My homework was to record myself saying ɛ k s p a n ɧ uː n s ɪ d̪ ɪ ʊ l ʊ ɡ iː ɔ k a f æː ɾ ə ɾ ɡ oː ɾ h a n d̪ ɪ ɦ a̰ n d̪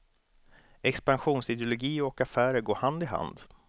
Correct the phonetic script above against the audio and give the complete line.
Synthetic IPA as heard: ɛ k s p a n ɧ uː n s ɪ d̪ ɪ ʊ l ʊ ɡ iː ɔ k a f æː ɾ ə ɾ ɡ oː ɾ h a n d̪ ɪ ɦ a̰ n d̪